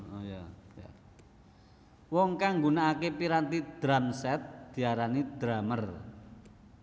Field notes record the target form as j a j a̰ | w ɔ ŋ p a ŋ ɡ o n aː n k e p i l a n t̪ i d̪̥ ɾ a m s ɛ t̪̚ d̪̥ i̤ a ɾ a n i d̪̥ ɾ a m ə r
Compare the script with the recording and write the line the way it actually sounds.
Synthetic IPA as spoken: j a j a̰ | w ɔ ŋ k a ŋ ɡ u n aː k e p i ɾ a n t̪ i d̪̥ ɾ a m s ɛ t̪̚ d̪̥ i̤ a ɾ a n i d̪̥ ɾ a m ə r